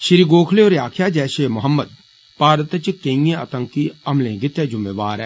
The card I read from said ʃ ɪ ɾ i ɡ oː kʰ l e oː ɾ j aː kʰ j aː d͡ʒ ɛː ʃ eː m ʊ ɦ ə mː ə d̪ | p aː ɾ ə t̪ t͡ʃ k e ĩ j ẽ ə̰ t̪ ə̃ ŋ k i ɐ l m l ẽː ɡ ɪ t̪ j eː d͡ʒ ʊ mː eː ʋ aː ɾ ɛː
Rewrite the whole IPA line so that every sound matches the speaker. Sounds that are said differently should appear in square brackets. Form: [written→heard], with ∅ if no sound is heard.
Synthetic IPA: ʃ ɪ ɾ i ɡ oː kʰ l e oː ɾ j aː kʰ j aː d͡ʒ ɛː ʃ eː m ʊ ɦ ə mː ə d̪ | p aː ɾ ə t̪ t͡ʃ k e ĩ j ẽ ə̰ t̪ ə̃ ŋ k i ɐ [l→∅] m l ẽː ɡ ɪ t̪ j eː d͡ʒ ʊ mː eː ʋ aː ɾ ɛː